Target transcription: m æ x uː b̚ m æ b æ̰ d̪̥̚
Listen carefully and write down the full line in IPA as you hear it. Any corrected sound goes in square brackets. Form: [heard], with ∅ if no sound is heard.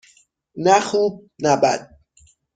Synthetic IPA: [n] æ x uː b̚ [n] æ b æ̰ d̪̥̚